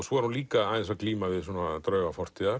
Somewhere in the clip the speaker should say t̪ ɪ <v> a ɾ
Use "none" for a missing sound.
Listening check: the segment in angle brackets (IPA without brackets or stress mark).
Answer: ð